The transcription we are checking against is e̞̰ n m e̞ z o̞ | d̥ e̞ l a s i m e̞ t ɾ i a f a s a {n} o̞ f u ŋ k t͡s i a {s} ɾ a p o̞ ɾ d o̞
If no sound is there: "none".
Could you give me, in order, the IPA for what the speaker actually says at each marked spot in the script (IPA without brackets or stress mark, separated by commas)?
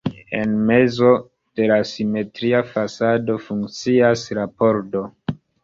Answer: d, s